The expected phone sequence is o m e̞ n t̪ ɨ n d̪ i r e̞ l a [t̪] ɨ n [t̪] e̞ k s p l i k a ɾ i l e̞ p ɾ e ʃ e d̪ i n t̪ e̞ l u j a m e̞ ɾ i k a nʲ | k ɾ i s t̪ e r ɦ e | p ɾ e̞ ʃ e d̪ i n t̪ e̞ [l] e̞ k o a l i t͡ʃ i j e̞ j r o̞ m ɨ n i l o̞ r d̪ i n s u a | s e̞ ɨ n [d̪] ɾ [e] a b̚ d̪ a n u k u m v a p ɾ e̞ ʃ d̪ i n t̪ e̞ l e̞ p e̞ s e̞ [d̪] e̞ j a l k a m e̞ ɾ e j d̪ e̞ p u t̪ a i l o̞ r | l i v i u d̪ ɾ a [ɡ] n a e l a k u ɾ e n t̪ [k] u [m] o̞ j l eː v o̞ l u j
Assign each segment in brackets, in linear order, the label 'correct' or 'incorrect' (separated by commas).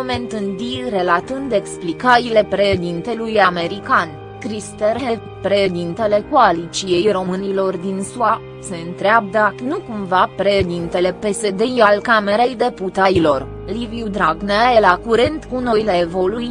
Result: correct, incorrect, correct, incorrect, correct, correct, correct, correct, incorrect